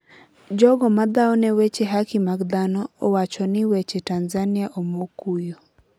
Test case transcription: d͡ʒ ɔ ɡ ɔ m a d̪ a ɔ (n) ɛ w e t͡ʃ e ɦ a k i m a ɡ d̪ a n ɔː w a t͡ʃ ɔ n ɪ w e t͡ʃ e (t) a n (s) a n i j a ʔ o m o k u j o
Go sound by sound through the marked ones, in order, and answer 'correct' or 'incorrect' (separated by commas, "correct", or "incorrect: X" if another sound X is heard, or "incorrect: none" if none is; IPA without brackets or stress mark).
correct, correct, incorrect: z